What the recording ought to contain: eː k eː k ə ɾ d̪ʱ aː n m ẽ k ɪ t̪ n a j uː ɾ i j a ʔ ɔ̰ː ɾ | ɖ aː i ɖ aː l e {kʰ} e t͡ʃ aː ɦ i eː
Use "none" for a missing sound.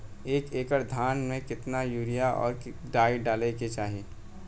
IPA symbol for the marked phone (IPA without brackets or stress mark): k